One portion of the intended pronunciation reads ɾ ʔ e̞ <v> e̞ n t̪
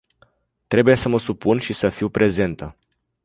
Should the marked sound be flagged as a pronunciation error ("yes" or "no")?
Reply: yes